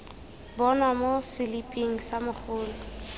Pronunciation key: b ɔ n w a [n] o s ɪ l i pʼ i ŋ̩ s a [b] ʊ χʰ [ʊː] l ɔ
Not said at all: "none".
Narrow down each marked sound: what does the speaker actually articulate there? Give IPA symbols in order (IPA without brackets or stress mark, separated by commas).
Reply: m, m, ʊː